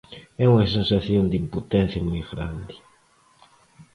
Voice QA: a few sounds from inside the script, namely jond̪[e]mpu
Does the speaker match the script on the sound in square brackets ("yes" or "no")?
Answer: no